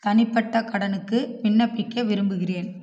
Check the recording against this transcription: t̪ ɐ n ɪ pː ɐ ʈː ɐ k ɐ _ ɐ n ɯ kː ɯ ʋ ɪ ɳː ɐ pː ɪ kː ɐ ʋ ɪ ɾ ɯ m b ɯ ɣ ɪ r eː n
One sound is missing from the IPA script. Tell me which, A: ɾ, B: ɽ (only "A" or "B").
B